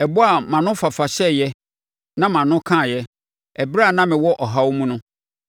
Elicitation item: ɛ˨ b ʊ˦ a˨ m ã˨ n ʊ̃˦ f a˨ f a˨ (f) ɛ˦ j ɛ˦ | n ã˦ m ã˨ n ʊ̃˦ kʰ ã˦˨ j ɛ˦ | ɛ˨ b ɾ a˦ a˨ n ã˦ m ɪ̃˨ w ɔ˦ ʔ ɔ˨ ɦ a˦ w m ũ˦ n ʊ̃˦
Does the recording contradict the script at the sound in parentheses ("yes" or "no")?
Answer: yes